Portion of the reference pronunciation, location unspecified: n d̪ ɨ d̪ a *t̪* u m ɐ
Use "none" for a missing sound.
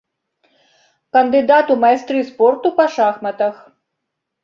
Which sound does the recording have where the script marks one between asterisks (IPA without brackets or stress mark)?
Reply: t̪